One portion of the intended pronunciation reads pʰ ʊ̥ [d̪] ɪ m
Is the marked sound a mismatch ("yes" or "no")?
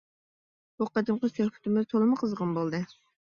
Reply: yes